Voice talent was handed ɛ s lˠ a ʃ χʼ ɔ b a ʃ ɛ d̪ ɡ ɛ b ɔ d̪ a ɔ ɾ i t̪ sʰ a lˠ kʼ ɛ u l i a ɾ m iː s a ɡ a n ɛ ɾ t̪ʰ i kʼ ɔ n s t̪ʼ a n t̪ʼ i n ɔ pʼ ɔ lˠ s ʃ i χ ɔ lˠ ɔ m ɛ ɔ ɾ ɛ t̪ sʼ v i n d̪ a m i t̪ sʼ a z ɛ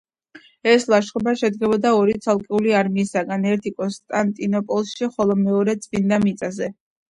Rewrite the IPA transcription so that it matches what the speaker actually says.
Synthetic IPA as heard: ɛ s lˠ a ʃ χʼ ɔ b a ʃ ɛ d̪ ɡ ɛ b ɔ d̪ a ɔ ɾ i t̪ sʰ a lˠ kʼ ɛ u l i a ɾ m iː s a ɡ a n ɛ ɾ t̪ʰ i kʼ ɔ n s t̪ʼ a n t̪ʼ i n ɔ pʼ ɔ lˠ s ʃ i χ ɔ lˠ ɔ m ɛ ɔ ɾ ɛ t̪ sʼ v i n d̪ a m i t̪ sʼ a z ɛ